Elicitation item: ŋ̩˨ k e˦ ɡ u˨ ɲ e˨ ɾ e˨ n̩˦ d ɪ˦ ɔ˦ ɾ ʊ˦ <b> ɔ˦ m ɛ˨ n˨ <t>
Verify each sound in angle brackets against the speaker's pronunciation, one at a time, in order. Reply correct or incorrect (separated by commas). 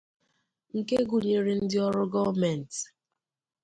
incorrect, correct